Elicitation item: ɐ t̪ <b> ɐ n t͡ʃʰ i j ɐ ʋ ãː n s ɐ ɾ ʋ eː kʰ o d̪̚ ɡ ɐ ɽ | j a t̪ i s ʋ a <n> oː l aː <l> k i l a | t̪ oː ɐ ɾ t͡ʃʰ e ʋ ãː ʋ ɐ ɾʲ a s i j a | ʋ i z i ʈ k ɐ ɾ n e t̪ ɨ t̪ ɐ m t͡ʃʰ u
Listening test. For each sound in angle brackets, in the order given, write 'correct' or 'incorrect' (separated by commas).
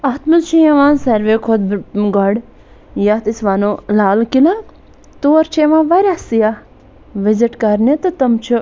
incorrect, correct, correct